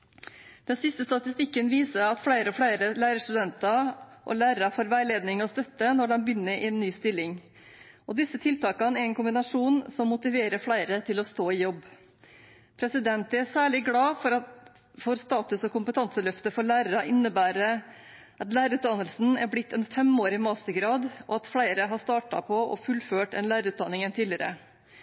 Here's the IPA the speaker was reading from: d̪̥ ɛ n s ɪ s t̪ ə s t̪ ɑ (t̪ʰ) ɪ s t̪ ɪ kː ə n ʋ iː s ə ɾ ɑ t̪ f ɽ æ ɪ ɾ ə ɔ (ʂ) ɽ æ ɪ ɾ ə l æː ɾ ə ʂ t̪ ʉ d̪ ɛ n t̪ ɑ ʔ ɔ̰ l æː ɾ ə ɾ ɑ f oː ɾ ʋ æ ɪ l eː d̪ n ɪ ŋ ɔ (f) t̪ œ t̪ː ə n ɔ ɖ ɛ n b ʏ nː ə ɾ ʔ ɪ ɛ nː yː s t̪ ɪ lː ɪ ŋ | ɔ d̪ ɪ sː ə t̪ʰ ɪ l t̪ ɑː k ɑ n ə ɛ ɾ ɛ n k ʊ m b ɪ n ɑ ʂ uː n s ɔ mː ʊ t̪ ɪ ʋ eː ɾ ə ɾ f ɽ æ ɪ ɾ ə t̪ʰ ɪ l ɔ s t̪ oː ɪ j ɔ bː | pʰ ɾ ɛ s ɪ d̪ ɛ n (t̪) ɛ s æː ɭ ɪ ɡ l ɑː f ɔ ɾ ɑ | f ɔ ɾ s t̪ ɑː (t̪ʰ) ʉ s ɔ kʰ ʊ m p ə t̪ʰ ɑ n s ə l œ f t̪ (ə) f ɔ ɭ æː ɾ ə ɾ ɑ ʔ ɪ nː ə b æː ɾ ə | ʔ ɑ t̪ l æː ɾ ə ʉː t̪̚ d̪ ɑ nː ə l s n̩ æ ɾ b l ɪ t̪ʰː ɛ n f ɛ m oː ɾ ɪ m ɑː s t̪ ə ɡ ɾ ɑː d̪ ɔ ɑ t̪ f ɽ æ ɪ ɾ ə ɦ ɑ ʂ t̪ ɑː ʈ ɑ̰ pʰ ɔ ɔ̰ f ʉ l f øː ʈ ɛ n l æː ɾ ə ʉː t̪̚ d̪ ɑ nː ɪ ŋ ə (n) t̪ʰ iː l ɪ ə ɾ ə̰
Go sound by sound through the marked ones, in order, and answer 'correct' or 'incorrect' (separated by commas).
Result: incorrect, incorrect, incorrect, correct, incorrect, correct, correct